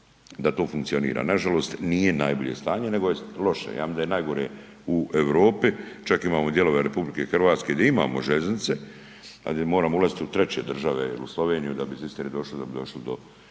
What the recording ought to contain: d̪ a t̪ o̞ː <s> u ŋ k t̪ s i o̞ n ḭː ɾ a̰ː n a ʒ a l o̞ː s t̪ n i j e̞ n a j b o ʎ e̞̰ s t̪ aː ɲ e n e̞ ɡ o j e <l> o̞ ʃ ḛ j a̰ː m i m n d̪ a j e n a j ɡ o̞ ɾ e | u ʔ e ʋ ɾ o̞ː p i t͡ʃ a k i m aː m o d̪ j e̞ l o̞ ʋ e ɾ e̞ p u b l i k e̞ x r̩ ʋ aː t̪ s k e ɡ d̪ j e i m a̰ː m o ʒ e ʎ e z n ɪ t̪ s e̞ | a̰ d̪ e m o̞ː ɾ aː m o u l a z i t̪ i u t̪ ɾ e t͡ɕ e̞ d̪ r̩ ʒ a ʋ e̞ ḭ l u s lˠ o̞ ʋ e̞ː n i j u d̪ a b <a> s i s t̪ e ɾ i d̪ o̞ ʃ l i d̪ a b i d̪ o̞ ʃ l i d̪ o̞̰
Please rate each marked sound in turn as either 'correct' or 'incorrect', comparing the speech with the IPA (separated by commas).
incorrect, correct, incorrect